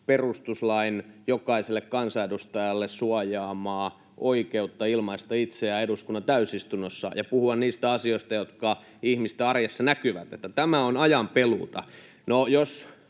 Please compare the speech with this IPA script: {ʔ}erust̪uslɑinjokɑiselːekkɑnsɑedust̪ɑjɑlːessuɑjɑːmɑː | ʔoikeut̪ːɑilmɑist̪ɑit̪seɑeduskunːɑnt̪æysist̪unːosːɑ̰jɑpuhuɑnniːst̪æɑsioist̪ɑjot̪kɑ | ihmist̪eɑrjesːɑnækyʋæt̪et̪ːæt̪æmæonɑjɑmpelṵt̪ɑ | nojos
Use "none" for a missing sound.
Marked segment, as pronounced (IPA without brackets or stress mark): p